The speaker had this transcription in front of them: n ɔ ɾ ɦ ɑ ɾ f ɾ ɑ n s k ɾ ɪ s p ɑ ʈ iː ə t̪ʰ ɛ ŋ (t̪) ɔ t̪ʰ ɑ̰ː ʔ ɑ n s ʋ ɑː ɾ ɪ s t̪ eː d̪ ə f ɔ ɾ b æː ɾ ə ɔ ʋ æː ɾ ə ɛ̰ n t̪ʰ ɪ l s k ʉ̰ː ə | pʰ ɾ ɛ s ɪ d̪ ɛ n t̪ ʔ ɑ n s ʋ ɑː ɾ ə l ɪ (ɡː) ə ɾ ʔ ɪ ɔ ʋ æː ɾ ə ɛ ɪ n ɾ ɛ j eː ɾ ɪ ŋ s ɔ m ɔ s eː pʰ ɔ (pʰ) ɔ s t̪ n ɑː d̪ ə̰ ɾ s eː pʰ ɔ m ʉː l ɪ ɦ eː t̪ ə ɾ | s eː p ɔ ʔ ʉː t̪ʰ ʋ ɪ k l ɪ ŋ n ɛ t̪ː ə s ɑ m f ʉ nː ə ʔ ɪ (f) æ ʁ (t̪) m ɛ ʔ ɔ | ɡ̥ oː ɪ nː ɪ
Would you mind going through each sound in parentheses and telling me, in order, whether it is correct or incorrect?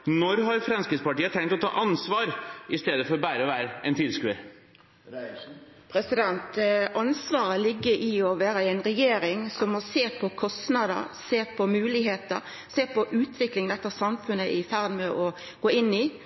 correct, correct, incorrect: kʰ, correct, incorrect: d̪

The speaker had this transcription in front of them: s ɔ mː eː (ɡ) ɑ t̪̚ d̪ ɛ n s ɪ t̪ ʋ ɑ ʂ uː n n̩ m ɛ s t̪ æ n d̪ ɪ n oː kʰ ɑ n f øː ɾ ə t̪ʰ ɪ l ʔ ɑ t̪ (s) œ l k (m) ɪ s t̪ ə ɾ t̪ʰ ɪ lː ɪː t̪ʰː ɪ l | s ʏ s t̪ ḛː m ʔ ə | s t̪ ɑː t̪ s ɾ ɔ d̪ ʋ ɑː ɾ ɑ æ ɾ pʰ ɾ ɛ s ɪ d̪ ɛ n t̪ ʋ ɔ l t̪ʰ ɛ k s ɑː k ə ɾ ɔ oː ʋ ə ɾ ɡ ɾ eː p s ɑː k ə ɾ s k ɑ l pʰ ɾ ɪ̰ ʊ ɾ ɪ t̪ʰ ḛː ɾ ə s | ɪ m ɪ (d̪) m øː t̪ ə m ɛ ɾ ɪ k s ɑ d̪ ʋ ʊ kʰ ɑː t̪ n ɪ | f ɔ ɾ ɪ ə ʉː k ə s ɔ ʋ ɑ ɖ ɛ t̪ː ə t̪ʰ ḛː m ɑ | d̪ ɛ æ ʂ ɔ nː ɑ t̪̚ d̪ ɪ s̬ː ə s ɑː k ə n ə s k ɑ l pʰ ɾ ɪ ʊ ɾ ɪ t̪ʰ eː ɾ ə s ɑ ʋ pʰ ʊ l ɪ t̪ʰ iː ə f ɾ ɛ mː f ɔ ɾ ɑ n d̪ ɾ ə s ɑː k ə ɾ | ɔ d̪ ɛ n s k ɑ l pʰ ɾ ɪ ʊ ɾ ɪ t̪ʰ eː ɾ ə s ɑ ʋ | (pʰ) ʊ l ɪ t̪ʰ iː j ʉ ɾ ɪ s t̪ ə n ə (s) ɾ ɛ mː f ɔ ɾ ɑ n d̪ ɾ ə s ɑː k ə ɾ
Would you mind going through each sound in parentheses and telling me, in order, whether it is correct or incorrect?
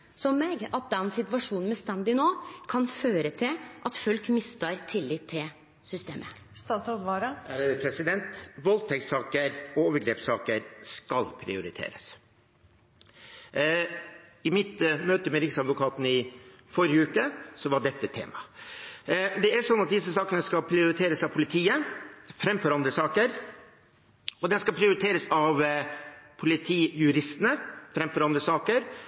correct, incorrect: f, correct, incorrect: t̪, correct, incorrect: f

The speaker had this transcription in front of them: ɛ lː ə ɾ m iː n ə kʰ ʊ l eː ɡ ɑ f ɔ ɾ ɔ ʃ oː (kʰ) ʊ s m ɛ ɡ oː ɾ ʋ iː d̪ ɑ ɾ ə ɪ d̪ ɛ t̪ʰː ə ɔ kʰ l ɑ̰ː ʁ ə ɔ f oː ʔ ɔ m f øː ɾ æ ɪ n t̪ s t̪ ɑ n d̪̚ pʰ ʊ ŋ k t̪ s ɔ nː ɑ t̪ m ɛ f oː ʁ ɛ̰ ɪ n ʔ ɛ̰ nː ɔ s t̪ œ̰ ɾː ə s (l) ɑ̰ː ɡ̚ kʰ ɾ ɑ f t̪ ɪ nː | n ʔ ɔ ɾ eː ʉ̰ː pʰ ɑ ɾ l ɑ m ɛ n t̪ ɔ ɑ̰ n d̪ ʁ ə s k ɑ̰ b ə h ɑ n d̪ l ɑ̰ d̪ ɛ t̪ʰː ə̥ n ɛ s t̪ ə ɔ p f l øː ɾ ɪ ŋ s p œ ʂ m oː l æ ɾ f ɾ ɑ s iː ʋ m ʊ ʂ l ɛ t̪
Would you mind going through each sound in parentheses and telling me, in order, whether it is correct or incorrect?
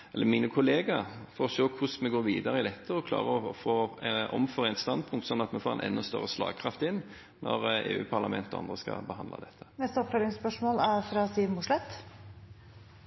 correct, correct

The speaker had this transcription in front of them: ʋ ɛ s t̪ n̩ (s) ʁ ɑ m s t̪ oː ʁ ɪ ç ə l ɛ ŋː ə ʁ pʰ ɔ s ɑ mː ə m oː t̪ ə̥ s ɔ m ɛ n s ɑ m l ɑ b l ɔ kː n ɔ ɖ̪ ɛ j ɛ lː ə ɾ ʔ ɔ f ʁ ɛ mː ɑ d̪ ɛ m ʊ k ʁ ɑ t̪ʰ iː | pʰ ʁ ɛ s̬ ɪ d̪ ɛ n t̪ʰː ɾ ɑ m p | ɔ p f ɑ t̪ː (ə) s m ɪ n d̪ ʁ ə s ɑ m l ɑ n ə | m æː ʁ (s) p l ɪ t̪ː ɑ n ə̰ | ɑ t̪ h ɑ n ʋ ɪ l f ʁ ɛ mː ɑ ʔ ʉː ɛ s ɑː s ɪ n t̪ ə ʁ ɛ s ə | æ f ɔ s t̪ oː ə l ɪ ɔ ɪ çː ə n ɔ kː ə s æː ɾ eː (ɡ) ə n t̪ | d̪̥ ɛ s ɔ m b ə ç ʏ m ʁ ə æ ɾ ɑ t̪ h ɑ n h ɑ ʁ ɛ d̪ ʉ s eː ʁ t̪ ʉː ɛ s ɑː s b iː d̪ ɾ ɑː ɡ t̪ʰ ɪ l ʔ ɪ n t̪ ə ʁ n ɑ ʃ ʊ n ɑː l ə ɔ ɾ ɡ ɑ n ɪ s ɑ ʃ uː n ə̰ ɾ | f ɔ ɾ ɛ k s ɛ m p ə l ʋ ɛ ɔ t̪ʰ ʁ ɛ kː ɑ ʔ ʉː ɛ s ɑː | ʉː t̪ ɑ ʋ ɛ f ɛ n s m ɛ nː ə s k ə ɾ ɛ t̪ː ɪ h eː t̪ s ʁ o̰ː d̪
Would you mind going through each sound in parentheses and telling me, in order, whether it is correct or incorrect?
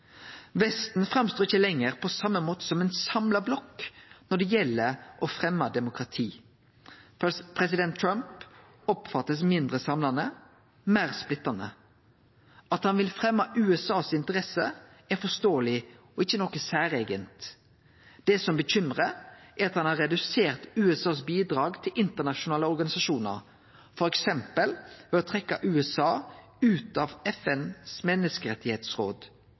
incorrect: f, correct, correct, correct

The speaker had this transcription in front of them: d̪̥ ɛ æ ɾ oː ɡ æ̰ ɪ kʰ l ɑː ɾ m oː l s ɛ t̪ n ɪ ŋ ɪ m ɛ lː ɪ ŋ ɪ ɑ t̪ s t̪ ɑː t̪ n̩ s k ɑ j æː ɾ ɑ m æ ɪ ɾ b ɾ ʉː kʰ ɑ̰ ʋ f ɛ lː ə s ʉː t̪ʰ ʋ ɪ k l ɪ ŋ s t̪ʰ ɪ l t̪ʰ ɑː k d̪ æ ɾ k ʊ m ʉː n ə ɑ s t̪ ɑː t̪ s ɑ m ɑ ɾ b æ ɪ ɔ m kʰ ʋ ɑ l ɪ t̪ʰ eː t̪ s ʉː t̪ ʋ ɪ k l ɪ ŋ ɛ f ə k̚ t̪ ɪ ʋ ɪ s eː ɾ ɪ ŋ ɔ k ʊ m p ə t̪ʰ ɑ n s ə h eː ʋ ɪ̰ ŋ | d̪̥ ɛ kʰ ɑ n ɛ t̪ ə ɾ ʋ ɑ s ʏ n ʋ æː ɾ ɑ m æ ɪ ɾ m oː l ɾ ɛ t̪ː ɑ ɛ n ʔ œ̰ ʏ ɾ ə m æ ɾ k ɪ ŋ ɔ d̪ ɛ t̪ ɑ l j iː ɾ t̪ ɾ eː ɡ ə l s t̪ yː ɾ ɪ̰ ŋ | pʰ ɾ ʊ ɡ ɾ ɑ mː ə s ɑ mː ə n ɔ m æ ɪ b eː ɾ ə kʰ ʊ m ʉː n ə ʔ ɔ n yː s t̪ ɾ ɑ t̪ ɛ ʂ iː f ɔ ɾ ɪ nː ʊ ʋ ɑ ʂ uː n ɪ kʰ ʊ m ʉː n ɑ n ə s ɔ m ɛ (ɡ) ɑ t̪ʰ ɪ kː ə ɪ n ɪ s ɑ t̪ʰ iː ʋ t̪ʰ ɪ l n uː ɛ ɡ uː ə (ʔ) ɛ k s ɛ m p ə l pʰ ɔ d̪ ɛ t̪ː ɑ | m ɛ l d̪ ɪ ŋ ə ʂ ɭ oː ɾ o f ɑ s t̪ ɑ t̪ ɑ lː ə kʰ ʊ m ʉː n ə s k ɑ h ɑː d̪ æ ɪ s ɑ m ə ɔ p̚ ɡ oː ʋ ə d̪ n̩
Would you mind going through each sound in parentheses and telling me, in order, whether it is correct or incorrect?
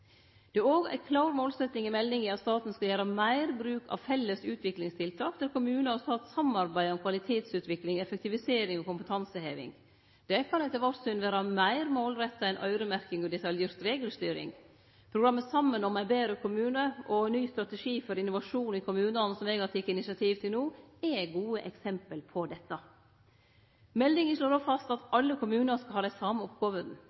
correct, correct

